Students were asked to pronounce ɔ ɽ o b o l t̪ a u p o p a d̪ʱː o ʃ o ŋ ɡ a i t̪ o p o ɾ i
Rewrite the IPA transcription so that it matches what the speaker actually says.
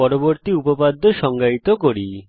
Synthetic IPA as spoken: ɔ ɾ o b o ɾ t̪ i u p o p a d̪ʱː o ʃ ɔ ŋ ɡ a i t̪ o k o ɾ i

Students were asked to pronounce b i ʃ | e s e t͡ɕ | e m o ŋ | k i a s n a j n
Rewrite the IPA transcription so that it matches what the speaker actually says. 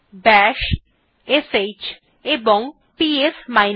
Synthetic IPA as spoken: b ɛ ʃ | e s e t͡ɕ | e b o ŋ | p i e s m a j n

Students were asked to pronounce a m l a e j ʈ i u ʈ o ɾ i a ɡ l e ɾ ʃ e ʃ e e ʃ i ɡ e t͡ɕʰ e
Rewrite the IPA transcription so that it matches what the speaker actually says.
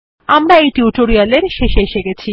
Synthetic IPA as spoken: a m ɾ a e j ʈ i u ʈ o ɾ i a l e ɾ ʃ e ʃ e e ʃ e ɡ e t͡ɕʰ i

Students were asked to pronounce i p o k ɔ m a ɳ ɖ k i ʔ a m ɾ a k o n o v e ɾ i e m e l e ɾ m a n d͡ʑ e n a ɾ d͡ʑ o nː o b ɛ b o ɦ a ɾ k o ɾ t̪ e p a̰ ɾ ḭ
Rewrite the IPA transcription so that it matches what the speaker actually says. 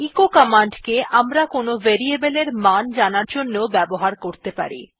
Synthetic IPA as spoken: i k o k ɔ m a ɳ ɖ k e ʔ a m ɾ a k o n o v e ɾ i e b e l e ɾ m a n d͡ʑ a n a ɾ d͡ʑ o nː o b ɛ b o ɦ a ɾ k o ɾ t̪ e p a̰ ɾ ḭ

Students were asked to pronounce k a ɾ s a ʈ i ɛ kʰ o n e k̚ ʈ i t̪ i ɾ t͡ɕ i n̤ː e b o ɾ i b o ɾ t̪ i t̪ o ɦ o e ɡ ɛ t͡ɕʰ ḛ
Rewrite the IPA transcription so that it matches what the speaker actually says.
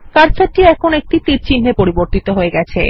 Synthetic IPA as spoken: k a ɾ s a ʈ i ɛ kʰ o n e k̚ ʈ i t̪ i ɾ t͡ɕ i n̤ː e p o ɾ i b o ɾ t̪ i t̪ o ɦ o e ɡ ɛ t͡ɕʰ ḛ

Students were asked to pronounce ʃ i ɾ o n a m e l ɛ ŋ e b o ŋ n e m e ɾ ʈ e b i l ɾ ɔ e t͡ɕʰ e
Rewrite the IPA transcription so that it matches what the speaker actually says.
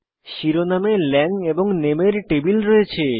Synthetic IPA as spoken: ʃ i ɾ o n a m e l ɛ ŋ e b o ŋ n e m e ɾ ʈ e b i l ɾ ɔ e t͡ɕʰ e

